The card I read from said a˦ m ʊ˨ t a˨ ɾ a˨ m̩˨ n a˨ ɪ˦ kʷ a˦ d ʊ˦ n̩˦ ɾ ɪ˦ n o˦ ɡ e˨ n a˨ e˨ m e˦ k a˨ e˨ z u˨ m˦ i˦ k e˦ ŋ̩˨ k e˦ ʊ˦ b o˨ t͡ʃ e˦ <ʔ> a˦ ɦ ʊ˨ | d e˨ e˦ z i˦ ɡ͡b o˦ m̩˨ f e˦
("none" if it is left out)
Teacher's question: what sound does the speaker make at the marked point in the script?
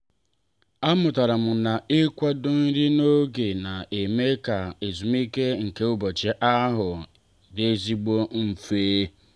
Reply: ʔ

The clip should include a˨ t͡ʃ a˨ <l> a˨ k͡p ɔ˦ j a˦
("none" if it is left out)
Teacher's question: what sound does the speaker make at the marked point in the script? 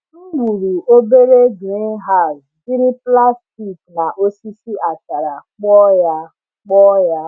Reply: ɾ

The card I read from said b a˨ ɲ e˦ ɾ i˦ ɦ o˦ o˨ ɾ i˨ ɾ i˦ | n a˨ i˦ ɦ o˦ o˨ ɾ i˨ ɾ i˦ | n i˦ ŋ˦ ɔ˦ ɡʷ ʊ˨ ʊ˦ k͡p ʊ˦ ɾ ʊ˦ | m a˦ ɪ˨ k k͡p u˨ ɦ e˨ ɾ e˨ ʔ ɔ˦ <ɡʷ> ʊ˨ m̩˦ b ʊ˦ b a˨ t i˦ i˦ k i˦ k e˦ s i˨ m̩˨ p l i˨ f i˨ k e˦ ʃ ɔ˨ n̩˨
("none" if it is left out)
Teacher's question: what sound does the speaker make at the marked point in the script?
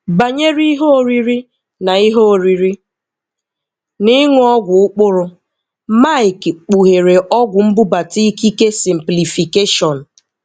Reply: ɡʷ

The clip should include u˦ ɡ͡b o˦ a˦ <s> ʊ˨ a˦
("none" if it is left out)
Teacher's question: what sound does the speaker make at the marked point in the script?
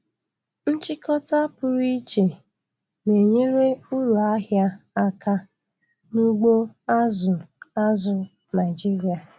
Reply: z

